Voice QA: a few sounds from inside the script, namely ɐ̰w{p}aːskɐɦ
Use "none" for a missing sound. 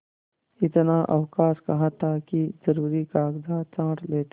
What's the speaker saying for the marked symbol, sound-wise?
k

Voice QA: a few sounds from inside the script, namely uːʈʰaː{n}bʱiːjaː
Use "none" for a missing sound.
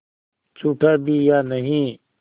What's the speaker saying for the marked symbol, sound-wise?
none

